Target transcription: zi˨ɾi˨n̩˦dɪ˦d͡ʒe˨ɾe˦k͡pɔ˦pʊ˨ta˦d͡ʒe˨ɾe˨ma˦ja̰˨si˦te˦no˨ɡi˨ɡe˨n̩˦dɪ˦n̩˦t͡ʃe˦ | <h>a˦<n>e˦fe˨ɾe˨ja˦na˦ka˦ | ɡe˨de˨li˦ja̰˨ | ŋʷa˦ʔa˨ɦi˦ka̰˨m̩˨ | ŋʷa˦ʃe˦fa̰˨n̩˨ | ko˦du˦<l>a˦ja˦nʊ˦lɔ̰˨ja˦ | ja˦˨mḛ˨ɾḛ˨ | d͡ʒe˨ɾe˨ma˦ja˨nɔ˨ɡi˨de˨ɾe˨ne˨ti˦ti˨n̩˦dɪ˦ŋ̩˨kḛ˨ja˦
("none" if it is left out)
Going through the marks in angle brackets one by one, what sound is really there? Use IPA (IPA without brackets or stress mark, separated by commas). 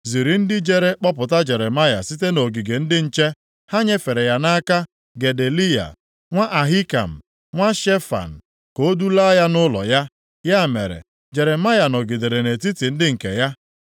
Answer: h, ɲ, l